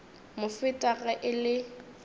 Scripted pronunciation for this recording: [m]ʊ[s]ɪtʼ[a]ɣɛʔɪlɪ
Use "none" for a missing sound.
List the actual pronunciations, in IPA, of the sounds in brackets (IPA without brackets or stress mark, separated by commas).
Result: m, f, a